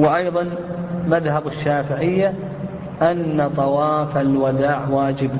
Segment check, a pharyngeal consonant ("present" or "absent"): present